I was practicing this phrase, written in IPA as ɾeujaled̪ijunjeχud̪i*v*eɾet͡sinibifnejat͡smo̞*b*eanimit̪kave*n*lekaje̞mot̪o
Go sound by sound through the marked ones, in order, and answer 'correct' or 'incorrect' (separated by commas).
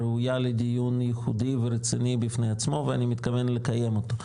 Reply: correct, incorrect, correct